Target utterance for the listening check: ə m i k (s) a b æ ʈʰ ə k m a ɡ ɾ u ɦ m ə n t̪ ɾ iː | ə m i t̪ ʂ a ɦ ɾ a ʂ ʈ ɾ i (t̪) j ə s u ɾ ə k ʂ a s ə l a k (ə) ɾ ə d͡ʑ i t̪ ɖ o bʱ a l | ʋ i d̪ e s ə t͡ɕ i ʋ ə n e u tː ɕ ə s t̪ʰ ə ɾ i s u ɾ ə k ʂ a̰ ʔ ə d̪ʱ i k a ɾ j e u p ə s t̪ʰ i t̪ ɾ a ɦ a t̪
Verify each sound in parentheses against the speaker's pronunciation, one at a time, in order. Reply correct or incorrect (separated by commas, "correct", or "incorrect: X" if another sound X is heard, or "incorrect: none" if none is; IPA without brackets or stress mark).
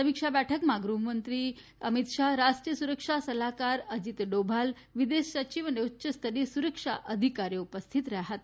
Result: incorrect: ʂ, incorrect: none, incorrect: a